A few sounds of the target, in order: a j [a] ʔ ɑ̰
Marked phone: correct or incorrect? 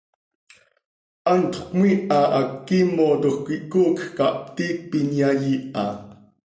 incorrect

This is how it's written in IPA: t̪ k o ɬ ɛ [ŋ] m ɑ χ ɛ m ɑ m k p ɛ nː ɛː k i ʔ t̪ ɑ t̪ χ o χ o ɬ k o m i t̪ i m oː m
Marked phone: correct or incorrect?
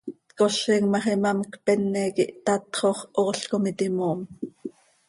correct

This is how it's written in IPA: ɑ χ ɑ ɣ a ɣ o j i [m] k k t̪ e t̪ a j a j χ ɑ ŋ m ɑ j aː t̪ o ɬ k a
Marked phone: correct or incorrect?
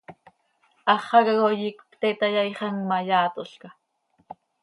incorrect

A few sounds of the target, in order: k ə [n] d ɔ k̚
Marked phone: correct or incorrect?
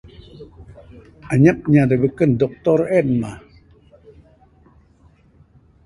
correct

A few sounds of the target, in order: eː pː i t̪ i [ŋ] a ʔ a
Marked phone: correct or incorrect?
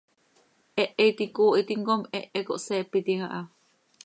correct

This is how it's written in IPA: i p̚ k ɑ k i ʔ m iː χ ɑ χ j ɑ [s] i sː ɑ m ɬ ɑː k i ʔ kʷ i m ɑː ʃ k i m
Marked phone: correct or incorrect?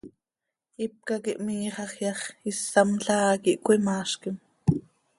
incorrect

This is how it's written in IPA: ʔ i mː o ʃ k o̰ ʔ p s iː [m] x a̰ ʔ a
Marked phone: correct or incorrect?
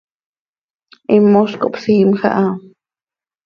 correct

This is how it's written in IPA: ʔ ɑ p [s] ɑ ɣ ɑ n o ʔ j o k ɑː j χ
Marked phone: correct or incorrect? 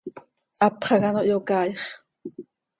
incorrect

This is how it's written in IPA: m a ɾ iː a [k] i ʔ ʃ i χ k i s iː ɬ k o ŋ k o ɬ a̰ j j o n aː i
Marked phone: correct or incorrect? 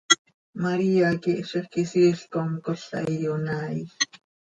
correct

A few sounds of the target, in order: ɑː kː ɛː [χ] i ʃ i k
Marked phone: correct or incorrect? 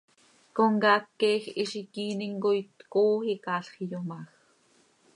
incorrect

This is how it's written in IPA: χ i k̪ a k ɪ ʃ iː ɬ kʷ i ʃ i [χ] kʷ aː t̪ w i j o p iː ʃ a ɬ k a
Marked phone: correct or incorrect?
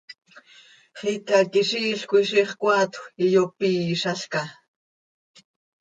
correct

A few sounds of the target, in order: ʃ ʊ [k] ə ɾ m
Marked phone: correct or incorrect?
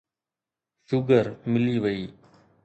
incorrect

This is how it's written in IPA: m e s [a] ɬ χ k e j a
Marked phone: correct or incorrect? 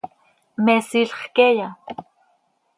incorrect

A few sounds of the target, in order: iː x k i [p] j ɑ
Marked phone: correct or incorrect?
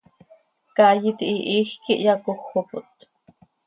incorrect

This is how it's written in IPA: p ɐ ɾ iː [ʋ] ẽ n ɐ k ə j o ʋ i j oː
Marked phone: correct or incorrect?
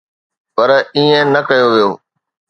incorrect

